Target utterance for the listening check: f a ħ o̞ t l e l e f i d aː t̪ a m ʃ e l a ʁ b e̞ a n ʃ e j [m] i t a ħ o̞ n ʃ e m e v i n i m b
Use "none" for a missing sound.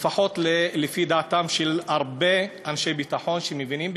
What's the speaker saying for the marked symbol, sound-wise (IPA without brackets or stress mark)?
b